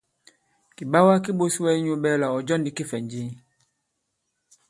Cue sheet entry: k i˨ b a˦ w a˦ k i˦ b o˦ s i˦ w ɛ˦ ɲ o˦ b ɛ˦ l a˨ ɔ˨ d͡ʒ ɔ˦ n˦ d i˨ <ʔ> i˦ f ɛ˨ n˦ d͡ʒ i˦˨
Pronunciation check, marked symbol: incorrect: k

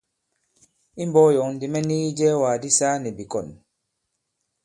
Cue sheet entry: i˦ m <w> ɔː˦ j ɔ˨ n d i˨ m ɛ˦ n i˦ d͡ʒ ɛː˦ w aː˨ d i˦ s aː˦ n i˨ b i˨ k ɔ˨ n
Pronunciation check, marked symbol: incorrect: b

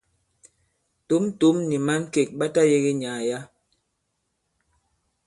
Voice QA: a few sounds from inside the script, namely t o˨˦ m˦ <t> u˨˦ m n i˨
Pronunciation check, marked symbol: correct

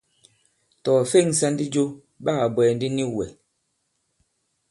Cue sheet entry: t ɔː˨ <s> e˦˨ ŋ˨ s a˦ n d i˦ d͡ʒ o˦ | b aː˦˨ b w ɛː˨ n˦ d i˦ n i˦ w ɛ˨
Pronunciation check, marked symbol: incorrect: f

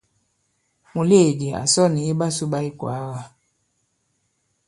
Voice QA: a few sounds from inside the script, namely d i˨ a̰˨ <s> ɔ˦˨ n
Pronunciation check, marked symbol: correct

